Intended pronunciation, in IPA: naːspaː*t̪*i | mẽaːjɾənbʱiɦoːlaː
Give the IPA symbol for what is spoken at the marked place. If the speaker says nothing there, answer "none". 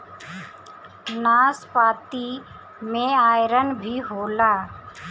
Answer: t̪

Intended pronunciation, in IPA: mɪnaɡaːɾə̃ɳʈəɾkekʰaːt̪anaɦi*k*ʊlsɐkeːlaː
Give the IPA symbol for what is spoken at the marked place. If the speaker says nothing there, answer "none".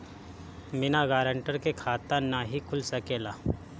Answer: kʰ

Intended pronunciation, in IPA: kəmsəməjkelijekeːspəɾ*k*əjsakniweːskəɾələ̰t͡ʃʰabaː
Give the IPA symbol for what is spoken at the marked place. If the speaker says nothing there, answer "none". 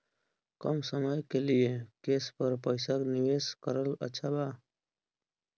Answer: p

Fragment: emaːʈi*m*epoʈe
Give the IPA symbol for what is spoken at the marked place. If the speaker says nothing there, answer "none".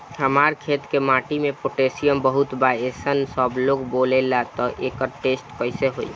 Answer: m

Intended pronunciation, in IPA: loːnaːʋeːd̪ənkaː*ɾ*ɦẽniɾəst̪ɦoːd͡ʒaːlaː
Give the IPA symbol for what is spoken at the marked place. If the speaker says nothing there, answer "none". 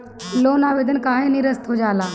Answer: none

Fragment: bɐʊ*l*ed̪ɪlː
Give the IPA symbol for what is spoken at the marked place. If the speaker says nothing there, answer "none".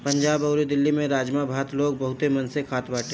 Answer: ɾ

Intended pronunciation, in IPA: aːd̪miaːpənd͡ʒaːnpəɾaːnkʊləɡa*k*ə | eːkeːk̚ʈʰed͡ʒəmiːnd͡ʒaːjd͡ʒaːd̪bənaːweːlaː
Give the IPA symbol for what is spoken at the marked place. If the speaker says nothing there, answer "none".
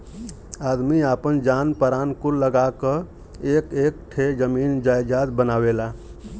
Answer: k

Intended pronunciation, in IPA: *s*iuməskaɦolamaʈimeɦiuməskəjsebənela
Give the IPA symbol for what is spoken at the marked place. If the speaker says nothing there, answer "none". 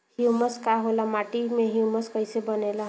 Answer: h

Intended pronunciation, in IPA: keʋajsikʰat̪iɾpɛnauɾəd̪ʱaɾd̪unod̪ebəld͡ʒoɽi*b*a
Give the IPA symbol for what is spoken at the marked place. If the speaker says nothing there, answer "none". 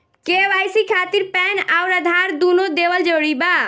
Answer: b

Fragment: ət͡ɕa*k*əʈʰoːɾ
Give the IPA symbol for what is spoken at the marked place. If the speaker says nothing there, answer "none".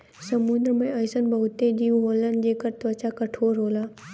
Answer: k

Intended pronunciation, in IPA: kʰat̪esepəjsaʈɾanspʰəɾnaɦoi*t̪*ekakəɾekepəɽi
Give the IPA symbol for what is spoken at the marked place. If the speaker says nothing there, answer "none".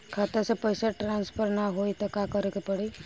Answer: t̪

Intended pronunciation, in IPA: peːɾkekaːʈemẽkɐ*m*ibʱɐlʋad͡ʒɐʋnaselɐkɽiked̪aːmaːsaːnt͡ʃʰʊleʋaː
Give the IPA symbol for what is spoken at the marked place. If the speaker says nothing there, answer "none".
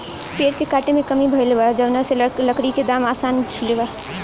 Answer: m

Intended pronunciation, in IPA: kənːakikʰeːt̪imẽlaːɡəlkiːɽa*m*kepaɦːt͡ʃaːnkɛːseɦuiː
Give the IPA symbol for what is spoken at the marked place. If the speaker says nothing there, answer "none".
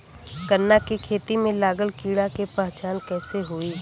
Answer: none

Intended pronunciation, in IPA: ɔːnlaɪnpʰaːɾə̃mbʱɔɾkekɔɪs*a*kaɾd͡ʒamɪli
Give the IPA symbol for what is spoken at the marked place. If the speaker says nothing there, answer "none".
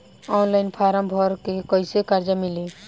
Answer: e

